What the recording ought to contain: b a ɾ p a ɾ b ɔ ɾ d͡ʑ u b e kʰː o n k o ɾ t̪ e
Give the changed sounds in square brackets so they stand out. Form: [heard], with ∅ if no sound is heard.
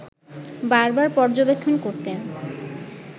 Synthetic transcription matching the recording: b a ɾ [b] a ɾ [p] ɔ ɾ d͡ʑ [o] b e kʰː o n k o ɾ t̪ e